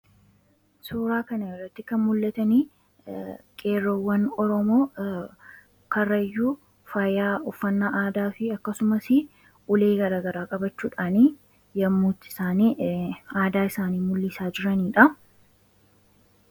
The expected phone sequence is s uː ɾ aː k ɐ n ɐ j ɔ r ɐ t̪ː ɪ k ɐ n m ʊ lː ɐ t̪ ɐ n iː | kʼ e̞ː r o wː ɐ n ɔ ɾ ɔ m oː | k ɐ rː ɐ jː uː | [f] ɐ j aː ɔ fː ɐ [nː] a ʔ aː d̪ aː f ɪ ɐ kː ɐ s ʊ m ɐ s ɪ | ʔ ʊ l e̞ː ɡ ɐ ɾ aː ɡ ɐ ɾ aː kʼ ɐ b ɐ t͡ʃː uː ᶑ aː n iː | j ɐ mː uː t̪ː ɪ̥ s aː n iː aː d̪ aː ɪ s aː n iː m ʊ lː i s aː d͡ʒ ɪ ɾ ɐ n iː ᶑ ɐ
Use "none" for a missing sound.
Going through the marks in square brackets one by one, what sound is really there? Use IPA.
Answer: f, nː

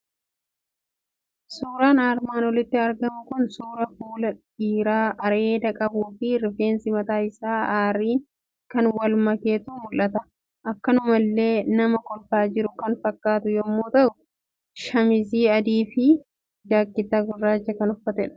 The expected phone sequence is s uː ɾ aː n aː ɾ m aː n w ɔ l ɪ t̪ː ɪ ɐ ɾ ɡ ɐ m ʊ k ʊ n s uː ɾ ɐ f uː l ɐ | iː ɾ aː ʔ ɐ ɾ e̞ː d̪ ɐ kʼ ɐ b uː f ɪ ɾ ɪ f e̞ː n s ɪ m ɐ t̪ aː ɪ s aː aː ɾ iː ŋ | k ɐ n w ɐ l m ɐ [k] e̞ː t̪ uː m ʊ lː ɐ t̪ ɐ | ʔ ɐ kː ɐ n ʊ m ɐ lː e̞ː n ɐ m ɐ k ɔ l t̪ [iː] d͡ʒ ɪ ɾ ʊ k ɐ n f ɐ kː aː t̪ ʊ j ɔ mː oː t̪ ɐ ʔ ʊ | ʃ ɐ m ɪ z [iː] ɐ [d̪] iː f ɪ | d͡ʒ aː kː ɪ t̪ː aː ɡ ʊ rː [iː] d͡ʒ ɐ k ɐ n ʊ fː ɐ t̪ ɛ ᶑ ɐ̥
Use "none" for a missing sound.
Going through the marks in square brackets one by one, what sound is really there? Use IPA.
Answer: k, aː, iː, d̪, aː

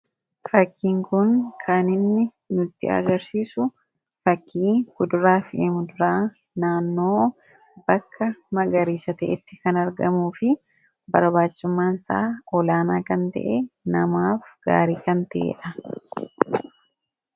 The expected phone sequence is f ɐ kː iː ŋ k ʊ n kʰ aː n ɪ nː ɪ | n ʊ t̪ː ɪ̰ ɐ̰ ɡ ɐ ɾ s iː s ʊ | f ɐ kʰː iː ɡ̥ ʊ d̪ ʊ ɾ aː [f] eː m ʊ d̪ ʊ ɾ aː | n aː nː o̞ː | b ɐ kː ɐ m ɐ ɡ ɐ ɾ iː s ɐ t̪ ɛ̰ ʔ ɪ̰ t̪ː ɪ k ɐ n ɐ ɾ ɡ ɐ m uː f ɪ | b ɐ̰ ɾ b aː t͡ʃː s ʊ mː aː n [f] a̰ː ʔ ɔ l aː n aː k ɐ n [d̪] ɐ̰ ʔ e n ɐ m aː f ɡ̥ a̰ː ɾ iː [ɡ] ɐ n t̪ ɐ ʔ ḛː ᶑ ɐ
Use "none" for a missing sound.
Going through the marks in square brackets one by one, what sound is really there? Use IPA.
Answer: f, s, t̪, k

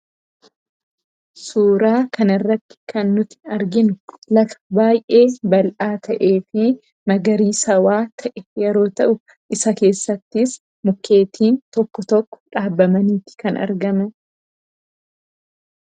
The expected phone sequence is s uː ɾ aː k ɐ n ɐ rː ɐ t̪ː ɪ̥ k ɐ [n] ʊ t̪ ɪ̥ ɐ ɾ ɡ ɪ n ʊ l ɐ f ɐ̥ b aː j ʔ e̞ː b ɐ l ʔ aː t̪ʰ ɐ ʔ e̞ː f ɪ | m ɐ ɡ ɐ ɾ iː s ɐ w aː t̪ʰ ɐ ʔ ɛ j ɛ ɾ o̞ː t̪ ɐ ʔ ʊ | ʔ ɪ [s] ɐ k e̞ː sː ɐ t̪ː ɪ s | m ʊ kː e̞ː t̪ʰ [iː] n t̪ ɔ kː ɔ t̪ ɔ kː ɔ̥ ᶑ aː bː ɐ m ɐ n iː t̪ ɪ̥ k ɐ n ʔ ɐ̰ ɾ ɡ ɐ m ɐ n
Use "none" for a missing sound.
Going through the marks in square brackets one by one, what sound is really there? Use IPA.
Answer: nː, s, iː

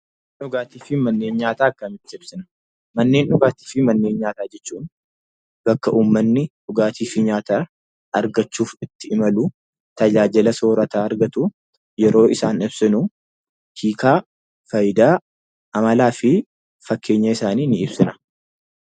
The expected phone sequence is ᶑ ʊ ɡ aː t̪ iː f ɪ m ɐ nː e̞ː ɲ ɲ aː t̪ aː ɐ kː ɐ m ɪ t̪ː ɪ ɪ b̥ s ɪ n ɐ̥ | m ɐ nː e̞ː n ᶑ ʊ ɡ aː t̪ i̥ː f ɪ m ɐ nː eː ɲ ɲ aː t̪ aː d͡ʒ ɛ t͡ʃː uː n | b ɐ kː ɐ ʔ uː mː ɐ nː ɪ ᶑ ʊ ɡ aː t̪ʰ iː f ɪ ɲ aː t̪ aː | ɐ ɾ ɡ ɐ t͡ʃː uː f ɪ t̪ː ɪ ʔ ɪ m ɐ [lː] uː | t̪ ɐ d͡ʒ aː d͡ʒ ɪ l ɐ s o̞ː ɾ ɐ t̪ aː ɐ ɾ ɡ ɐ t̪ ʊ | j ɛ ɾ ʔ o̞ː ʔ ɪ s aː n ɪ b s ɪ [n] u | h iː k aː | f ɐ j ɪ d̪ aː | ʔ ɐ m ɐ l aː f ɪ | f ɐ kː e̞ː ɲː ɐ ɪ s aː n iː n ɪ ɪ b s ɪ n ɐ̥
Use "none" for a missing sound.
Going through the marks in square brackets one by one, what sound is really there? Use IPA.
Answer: l, n

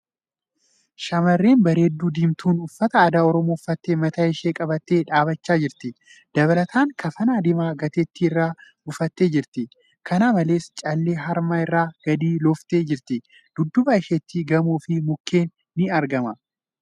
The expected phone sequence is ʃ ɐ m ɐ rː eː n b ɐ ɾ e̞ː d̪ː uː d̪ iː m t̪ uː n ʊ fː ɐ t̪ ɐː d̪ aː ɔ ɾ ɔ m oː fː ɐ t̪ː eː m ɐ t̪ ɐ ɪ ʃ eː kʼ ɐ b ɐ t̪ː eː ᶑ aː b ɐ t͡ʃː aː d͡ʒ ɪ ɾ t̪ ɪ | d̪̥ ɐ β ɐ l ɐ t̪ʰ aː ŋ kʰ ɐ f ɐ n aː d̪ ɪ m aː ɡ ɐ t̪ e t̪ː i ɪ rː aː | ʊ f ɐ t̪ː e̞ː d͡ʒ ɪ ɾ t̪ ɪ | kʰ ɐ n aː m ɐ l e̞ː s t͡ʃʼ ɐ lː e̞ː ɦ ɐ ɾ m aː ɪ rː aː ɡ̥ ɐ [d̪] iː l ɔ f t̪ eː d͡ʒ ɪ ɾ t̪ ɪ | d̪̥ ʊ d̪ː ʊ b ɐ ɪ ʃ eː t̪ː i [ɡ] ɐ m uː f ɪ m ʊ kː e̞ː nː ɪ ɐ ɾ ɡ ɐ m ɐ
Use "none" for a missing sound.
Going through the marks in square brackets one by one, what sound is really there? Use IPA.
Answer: d̪, ɡ

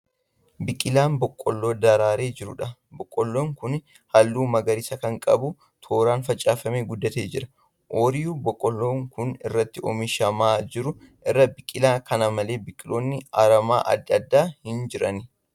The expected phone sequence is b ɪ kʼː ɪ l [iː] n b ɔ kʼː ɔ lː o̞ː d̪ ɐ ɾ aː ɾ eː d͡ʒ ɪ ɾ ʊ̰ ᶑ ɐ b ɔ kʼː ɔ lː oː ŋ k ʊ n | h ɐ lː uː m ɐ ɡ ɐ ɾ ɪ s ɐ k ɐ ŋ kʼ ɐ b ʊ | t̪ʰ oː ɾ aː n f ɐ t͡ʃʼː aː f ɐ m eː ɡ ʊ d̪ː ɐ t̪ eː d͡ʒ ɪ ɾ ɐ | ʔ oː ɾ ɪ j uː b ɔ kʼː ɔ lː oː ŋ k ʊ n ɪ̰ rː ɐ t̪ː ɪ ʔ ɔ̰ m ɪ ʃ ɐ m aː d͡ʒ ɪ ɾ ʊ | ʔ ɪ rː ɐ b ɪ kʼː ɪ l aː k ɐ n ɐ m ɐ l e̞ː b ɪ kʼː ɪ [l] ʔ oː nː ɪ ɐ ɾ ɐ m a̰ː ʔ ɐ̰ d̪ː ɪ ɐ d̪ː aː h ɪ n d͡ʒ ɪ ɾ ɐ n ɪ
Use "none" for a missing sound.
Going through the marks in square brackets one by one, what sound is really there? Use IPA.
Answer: aː, l

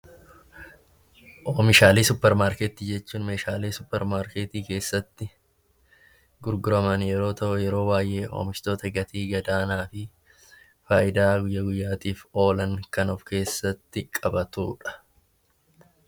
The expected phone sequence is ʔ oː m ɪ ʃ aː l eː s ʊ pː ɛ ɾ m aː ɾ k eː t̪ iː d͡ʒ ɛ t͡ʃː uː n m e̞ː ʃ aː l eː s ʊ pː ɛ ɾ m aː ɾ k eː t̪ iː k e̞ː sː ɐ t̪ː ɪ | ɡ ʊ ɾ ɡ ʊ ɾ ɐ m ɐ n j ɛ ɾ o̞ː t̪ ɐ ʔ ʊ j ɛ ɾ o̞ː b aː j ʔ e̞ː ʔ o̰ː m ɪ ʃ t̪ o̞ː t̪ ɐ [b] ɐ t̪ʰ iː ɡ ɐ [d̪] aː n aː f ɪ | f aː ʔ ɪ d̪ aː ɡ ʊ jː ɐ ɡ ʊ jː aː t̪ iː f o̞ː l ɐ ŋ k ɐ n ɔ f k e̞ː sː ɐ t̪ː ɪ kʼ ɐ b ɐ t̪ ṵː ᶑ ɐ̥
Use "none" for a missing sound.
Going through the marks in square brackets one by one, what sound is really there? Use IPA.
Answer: ɡ, d̪

